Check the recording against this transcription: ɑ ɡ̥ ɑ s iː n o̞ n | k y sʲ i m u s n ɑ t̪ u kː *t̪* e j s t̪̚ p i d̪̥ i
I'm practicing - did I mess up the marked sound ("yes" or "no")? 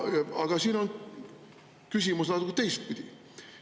no